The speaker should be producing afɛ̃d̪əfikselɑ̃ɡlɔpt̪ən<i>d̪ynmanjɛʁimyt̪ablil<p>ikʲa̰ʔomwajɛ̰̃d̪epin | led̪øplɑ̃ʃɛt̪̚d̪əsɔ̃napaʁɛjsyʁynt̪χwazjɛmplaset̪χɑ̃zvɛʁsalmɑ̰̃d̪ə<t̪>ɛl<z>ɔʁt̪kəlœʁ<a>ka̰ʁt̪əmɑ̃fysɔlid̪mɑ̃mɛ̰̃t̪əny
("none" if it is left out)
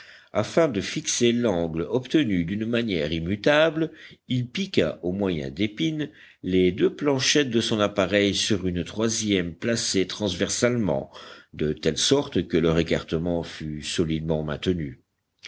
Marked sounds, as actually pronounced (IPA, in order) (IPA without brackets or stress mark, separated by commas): y, p, t̪, s, e